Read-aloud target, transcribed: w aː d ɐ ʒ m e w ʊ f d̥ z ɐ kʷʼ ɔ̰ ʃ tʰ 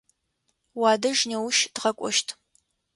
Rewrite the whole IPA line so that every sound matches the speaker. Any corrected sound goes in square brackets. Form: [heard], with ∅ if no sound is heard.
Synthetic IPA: w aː d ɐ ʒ [n] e w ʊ [ʃ] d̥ [ʁ] ɐ kʷʼ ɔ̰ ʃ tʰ